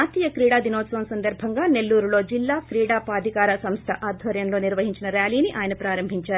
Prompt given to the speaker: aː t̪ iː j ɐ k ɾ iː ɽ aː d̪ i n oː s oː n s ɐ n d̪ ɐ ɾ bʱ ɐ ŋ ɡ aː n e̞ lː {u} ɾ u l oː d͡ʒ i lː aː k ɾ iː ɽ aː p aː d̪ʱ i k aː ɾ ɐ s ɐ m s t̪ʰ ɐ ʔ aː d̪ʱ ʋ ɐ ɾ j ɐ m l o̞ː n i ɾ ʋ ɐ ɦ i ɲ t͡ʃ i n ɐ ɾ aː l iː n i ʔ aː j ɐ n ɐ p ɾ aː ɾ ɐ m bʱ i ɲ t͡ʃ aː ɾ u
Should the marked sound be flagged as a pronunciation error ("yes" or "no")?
yes